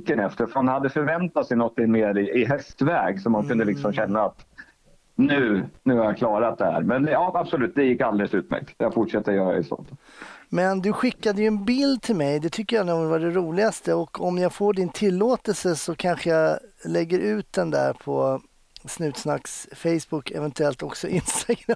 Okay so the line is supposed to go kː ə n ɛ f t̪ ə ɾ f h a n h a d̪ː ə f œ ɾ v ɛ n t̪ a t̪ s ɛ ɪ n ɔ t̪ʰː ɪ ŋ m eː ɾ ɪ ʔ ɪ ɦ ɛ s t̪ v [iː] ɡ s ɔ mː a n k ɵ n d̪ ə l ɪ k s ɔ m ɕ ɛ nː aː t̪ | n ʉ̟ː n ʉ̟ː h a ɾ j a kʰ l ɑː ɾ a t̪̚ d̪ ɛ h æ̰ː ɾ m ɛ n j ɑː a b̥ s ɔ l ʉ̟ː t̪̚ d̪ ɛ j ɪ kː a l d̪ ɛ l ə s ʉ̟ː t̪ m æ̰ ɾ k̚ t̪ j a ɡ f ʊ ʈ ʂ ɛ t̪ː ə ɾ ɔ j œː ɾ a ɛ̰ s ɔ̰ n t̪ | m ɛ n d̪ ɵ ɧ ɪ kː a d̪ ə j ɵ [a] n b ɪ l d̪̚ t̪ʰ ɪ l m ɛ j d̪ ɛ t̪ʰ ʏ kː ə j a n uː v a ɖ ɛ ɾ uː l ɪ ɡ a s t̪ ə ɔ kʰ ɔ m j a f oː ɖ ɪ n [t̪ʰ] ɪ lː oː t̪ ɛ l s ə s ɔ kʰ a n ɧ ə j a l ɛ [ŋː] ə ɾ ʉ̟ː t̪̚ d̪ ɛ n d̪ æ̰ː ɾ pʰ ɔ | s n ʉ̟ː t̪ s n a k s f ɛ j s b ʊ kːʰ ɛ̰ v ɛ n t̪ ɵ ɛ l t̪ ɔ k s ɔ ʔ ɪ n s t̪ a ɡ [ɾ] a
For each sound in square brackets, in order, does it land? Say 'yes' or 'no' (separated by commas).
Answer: no, no, yes, no, yes